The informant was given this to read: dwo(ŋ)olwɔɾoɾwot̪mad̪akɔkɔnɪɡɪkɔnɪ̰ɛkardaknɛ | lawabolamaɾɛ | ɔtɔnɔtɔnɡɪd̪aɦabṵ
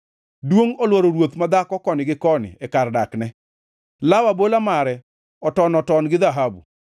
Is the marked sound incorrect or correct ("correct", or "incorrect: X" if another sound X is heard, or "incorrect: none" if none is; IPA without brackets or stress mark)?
correct